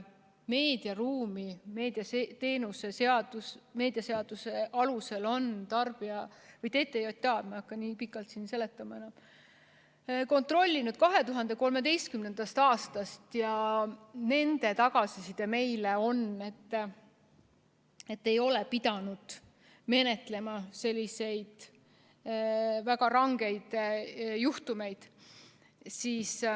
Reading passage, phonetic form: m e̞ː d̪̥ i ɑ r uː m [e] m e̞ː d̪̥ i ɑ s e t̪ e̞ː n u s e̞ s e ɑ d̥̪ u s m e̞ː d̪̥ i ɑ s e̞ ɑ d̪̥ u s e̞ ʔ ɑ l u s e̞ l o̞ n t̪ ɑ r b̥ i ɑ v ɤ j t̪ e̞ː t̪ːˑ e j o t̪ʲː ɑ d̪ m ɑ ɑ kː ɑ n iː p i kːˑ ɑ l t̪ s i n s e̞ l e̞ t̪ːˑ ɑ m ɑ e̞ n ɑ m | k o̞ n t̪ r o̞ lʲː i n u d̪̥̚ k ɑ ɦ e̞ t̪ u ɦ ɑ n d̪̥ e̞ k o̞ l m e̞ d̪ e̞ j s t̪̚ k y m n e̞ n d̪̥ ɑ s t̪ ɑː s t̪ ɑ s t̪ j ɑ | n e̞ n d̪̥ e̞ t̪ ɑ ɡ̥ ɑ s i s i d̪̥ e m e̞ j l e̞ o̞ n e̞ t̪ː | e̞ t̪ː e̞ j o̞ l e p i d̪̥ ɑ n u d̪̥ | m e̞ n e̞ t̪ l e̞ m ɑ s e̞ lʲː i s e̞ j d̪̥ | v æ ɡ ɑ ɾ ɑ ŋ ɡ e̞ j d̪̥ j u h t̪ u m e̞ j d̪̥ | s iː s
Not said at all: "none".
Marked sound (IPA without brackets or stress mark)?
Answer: i